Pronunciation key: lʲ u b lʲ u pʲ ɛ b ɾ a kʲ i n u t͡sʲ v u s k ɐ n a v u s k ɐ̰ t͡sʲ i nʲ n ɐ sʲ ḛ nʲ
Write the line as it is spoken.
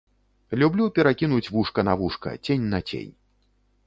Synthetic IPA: lʲ u b lʲ u pʲ ɛ ɾ a kʲ i n u t͡sʲ v u ʂ k ɐ n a v u ʂ k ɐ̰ t͡sʲ e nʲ n ɐ t͡sʲ ḛ nʲ